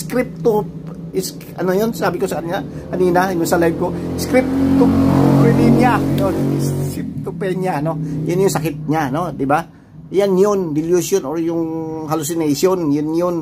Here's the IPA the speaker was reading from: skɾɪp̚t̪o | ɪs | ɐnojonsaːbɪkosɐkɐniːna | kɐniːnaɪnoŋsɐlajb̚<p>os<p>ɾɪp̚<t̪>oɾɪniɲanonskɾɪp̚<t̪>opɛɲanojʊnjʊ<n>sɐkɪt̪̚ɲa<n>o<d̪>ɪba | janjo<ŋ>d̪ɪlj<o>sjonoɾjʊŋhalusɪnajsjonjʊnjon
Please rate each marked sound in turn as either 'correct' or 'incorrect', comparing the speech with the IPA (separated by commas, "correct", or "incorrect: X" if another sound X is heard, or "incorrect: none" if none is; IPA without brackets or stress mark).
incorrect: k, incorrect: k, correct, correct, incorrect: ŋ, correct, correct, incorrect: n, incorrect: u